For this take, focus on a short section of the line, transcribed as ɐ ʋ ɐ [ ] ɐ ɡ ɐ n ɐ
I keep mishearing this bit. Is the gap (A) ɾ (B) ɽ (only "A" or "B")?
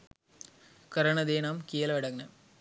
B